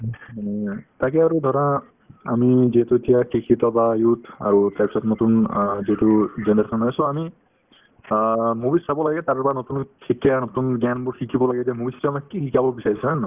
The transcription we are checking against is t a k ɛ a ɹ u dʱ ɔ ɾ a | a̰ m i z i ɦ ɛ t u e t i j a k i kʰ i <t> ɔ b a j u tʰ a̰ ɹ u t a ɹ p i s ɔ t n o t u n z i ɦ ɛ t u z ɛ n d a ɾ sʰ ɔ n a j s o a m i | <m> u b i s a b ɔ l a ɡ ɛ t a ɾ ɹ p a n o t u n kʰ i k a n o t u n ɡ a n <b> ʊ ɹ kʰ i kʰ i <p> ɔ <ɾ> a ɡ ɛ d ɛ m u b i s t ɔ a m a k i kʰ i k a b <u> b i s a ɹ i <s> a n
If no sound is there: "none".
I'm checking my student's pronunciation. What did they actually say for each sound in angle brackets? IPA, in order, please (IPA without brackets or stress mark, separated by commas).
t, m, b, b, l, ɔ, s